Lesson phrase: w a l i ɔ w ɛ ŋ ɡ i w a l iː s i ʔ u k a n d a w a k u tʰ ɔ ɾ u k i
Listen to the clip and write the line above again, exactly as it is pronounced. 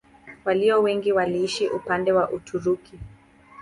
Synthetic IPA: w a l i ɔ w ɛ ŋ ɡ i w a l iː ʃ i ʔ u p a n d ɛ w a ʔ u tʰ u ɾ u k i